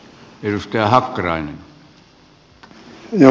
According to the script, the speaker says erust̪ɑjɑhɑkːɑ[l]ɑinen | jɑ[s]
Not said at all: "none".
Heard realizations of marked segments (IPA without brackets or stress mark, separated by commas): r, none